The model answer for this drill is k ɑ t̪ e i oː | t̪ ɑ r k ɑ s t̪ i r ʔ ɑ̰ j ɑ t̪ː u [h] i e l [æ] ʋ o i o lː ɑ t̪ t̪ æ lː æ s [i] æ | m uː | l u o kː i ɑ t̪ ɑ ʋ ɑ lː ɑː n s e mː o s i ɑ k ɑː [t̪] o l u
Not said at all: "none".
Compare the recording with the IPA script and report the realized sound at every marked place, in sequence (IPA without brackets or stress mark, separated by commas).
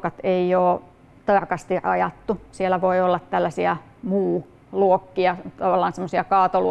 s, æ, i, t̪